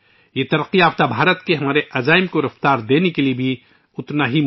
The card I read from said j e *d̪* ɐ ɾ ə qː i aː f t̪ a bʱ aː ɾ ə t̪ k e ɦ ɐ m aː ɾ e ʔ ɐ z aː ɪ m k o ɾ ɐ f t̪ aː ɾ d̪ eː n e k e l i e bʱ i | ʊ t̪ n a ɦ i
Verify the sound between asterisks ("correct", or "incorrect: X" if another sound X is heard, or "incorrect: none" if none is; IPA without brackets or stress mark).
incorrect: t̪